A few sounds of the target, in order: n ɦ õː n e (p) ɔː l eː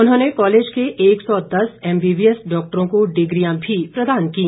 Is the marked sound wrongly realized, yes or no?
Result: yes